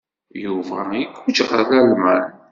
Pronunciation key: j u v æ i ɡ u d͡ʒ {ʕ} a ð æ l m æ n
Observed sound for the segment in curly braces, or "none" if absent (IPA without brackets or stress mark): ʁ